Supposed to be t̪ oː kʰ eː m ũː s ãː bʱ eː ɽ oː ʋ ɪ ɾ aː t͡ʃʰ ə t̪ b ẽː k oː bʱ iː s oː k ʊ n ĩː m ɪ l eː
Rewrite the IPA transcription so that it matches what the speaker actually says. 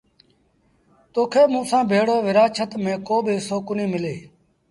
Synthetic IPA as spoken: t̪ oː kʰ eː m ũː s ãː bʱ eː ɽ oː ʋ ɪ ɾ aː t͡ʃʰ ə t̪ m ẽː k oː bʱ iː s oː k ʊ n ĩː m ɪ l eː